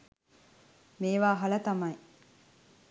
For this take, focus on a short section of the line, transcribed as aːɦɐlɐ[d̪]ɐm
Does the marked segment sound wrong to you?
yes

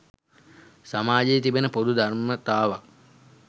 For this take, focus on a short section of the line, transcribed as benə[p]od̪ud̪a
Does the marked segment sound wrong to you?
no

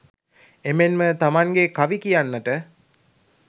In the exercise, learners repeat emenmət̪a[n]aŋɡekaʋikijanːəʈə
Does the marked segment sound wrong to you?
yes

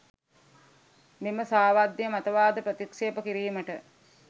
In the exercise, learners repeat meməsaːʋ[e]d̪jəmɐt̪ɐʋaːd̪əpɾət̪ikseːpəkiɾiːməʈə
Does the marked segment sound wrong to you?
yes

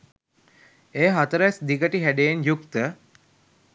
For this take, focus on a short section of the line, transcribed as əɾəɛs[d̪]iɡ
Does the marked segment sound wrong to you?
no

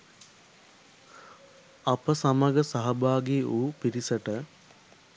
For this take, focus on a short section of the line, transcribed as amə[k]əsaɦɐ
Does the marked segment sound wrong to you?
yes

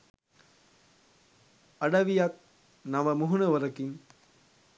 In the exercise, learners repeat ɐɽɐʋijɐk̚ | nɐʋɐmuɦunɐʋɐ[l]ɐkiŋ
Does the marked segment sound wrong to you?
yes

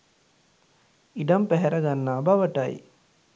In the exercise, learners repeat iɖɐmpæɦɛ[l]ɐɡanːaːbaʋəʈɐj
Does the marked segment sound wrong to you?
yes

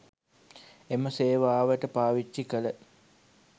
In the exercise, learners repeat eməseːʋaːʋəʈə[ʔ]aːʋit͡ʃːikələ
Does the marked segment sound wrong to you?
yes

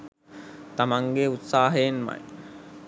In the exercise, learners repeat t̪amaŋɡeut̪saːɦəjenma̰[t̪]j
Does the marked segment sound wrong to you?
yes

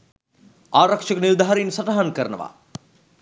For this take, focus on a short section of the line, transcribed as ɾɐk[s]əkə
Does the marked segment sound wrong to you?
yes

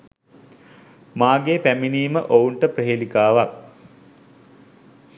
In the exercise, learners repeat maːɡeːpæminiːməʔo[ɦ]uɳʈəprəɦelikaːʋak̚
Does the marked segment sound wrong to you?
yes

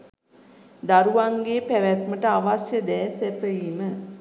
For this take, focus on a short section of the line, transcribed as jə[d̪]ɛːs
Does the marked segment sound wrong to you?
no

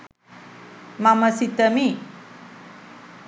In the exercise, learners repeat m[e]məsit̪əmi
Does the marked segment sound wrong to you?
yes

